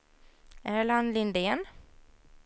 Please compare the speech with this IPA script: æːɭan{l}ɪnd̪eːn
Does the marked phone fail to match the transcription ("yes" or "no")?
no